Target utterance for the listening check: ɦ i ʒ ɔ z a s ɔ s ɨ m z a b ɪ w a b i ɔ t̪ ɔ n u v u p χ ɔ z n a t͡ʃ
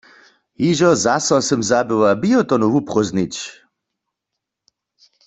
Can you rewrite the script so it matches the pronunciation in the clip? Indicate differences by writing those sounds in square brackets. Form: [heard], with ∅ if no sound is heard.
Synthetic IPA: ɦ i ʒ ɔ z a s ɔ s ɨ m z a b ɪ w a b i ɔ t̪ ɔ n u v u p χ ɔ z n [i] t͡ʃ